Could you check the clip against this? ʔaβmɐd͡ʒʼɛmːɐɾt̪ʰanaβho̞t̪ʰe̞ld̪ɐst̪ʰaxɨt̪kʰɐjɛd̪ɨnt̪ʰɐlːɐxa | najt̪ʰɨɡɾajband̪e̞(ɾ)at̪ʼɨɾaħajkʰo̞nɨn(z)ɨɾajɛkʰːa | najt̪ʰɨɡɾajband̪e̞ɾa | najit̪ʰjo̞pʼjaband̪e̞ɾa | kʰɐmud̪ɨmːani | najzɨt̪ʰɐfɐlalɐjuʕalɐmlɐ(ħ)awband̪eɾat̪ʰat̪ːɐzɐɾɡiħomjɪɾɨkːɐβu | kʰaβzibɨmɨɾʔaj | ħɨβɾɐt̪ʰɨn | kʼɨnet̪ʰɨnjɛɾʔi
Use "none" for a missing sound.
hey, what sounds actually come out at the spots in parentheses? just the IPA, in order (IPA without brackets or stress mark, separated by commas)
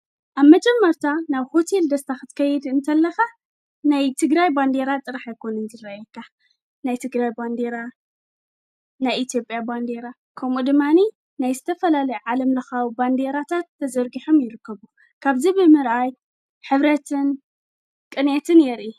ɾ, z, x